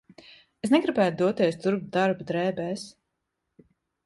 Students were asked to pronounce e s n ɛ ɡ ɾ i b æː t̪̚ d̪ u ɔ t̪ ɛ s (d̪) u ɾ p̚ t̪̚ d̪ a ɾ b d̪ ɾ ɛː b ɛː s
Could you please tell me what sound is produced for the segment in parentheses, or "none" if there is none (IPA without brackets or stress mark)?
t̪